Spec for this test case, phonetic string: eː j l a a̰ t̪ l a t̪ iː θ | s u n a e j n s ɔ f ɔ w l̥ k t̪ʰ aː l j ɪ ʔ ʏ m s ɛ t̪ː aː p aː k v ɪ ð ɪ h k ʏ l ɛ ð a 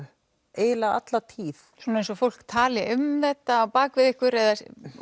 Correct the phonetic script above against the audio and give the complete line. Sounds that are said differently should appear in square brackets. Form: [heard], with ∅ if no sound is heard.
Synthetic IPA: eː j l a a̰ t̪ l a [t̪ʰ] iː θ | s u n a e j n s ɔ f [o] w l̥ k t̪ʰ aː l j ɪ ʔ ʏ m [θ] ɛ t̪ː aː p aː k v ɪ ð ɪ h k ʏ [ɾ] ɛ ð a